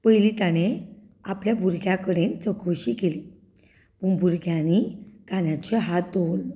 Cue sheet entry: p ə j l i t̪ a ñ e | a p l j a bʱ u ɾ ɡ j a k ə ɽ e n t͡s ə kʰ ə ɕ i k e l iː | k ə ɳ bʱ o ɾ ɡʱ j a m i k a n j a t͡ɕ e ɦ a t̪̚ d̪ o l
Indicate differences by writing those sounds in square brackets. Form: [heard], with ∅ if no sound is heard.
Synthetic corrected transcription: p ə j l i t̪ a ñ e | a p l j a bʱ u ɾ ɡ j a k ə ɽ e n t͡s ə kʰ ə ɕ i k e l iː | [p] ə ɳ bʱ [u] ɾ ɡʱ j a [n] i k a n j a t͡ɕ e ɦ a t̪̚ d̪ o l